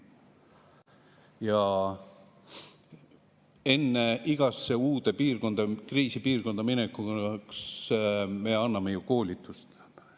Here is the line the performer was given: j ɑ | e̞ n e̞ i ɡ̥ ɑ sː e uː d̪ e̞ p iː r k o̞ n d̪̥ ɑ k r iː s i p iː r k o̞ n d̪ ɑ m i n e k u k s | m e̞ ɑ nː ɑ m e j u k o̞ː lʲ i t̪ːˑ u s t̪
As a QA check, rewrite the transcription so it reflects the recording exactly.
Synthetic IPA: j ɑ | e̞ nː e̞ i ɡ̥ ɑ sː e uː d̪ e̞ p iː r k o̞ n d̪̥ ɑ k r iː s i p iː r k o̞ n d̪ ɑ m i n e k u k s | m e̞ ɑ nː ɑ m e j u k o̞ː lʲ i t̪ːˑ u s t̪